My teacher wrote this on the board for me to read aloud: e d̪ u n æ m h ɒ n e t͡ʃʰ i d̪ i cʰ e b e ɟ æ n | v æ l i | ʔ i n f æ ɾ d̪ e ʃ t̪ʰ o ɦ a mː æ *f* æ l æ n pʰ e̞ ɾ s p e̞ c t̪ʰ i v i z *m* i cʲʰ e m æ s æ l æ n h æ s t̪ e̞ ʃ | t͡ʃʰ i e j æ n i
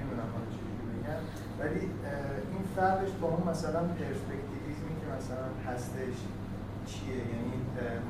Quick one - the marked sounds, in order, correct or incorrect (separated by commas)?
incorrect, correct